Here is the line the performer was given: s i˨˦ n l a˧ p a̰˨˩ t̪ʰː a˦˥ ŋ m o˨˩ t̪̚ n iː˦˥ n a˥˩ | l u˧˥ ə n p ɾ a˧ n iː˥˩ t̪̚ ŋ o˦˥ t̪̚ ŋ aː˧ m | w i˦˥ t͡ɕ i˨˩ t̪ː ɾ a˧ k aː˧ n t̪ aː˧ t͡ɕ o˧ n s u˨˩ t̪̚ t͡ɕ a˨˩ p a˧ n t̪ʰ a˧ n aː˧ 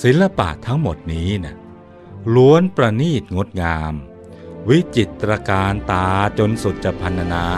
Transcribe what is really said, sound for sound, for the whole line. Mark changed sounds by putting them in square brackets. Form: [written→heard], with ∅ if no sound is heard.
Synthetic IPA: s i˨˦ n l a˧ p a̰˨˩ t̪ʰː a˦˥ ŋ m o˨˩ t̪̚ n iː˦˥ n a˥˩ | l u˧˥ ə n p ɾ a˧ n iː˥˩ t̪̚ ŋ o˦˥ t̪̚ ŋ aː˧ m | w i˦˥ t͡ɕ i˨˩ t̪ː ɾ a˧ k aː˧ n t̪ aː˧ t͡ɕ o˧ n s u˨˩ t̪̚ t͡ɕ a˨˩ [p→pʰ] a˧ n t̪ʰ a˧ n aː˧